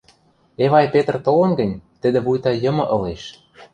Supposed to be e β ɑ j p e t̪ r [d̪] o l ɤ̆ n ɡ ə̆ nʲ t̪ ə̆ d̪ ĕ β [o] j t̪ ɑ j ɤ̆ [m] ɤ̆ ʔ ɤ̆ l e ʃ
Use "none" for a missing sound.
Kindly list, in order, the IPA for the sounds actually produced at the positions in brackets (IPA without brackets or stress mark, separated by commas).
t̪, u, m